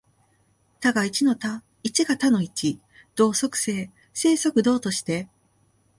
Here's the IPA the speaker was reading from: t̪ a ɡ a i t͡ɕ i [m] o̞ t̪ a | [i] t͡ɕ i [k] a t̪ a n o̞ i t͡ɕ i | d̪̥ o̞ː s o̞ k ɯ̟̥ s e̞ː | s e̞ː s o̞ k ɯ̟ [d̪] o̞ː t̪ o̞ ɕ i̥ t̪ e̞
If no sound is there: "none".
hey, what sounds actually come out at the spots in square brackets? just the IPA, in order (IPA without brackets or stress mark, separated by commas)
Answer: n, i, ɡ, d̪